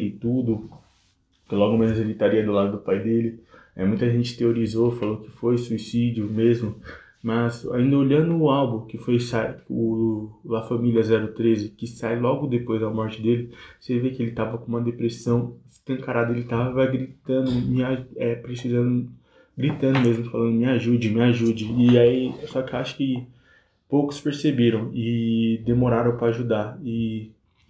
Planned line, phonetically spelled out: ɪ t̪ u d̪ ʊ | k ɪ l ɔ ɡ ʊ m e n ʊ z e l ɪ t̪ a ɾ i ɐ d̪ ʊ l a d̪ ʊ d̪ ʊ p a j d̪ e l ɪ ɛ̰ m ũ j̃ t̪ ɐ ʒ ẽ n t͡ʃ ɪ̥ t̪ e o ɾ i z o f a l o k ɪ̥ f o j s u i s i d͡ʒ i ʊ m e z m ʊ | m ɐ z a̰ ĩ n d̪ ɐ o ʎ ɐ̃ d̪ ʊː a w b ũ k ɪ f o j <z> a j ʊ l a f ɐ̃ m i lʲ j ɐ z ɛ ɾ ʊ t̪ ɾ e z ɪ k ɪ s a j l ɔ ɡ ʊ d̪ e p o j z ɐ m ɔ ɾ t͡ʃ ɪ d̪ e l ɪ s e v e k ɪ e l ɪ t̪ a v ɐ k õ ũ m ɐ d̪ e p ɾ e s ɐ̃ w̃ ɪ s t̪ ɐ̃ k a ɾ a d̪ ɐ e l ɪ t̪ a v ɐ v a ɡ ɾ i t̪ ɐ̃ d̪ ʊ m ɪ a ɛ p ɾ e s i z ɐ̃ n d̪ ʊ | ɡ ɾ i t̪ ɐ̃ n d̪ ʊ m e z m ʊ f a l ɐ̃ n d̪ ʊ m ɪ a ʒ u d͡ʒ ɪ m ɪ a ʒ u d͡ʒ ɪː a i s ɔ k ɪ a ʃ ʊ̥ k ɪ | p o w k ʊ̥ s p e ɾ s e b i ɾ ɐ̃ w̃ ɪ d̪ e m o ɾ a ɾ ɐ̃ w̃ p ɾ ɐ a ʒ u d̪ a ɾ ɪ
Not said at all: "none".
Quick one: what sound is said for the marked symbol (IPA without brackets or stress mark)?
s